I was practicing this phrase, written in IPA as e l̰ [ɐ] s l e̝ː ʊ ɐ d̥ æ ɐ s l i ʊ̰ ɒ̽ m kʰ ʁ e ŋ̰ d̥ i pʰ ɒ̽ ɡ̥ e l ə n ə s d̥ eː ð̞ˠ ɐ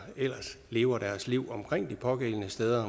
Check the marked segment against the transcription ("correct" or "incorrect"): correct